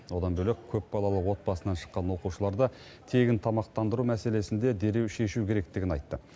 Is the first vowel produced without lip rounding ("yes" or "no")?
no